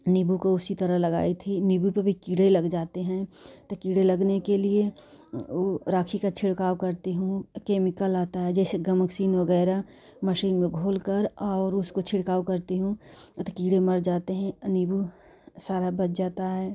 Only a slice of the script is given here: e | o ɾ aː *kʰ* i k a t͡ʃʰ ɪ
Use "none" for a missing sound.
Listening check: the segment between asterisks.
kʰ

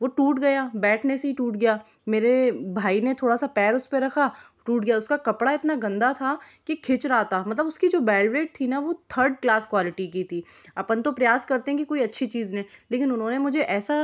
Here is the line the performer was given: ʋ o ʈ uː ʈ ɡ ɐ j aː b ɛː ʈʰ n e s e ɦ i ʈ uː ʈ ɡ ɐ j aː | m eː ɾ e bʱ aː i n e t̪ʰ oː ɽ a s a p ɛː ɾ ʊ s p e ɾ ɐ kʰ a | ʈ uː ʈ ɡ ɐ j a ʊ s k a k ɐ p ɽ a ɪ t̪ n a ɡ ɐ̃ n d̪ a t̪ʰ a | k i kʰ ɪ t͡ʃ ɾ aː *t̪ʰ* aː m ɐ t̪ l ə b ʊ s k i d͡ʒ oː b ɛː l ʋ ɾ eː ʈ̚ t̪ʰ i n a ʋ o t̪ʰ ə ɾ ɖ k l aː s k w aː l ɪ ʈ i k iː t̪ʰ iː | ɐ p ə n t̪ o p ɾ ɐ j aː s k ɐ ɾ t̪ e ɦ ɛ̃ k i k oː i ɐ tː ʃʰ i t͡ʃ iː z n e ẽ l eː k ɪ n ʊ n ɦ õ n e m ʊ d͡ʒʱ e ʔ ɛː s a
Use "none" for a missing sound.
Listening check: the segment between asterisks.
t̪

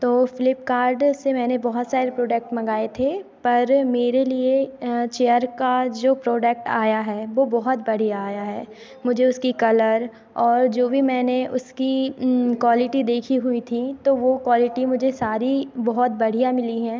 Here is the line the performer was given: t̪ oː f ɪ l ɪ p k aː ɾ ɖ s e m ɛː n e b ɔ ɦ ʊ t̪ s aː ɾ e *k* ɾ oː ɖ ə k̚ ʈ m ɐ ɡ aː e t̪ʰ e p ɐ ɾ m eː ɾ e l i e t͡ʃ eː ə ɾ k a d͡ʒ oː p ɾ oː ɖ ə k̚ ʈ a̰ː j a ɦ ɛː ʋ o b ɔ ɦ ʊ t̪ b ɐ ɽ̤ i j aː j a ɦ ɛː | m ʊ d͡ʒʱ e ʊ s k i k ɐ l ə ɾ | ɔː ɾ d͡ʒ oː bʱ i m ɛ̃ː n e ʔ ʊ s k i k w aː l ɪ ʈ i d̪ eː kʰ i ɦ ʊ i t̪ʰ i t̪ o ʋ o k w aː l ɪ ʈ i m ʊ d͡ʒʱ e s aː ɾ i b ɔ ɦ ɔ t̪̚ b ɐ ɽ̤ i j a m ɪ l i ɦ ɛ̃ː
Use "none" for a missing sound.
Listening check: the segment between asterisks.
p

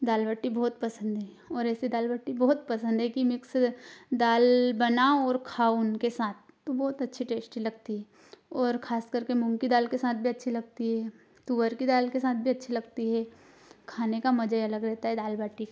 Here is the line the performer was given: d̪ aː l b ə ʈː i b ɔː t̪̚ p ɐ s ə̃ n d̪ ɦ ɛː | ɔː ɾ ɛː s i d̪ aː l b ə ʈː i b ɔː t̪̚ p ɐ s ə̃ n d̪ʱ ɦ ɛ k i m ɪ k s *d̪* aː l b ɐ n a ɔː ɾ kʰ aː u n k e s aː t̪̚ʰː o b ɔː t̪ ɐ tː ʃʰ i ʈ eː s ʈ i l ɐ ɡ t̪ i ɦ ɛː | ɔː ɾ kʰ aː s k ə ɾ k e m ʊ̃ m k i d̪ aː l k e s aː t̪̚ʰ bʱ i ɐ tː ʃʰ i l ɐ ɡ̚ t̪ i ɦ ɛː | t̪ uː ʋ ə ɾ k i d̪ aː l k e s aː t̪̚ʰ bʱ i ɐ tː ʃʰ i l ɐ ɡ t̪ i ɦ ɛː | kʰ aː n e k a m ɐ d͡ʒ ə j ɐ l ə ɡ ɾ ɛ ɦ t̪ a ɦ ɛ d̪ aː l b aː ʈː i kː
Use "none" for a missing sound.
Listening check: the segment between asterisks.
d̪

